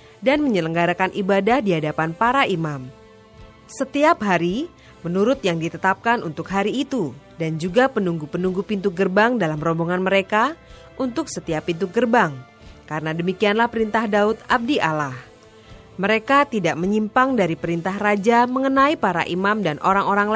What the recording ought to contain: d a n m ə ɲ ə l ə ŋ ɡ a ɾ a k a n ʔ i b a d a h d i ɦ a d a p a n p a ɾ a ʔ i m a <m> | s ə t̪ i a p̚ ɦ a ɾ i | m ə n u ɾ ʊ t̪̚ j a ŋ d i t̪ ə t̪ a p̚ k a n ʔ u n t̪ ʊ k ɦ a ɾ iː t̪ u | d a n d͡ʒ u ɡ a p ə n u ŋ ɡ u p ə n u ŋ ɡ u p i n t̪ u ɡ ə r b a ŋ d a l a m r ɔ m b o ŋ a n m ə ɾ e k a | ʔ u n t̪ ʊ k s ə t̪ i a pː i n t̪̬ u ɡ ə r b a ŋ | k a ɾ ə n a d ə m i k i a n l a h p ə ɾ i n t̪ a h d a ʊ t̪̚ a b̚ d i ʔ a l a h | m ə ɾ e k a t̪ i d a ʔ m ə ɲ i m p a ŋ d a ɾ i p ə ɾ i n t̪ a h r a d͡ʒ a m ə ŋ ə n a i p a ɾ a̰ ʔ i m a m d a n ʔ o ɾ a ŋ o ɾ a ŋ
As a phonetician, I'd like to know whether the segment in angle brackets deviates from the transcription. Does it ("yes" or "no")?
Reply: no